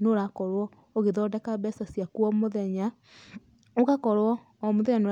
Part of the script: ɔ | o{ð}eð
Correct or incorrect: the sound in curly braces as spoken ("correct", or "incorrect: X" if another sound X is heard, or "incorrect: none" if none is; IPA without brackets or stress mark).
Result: incorrect: ɣ